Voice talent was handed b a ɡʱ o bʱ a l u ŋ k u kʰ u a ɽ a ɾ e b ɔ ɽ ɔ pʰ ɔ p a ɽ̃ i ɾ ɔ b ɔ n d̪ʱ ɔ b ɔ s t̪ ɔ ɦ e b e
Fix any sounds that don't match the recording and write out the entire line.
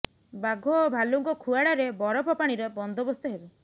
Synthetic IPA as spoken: b a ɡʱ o bʱ a l u ŋ k ɔ kʰ u a ɽ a ɾ e b ɔ ɾ ɔ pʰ ɔ p a ɽ̃ i ɾ ɔ b ɔ n d̪ʱ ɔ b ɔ s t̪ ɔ ɦ e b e